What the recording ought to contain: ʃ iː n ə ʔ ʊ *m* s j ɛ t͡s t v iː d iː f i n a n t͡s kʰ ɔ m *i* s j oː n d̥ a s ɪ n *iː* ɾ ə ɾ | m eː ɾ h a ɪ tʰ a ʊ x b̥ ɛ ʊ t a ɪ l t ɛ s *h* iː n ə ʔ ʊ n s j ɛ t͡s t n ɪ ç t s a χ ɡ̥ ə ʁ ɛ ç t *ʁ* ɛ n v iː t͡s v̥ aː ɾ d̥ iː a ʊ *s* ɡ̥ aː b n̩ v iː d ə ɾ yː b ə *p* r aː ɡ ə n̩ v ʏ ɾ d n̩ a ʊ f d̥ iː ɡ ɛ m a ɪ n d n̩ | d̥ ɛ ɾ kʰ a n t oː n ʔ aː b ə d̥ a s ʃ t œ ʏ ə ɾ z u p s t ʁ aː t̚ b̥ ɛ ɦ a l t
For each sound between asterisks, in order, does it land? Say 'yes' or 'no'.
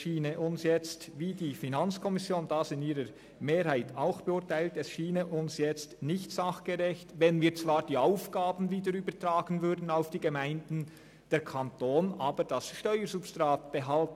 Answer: no, no, yes, no, no, no, no

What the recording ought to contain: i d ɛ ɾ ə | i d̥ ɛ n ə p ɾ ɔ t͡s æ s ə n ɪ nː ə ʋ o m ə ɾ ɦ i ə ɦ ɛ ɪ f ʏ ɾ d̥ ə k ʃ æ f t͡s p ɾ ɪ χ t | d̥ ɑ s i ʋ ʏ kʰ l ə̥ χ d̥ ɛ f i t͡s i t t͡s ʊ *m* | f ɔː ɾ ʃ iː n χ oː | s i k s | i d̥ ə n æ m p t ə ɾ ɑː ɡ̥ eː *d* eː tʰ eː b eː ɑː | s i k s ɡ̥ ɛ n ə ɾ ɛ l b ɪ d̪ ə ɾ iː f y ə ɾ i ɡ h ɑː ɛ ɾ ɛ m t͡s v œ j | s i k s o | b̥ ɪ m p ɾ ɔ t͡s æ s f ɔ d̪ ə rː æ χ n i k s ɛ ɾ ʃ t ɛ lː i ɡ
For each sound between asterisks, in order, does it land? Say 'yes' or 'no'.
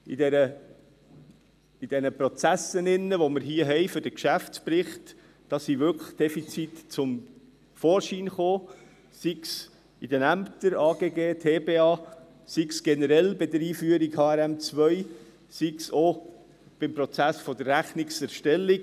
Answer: yes, no

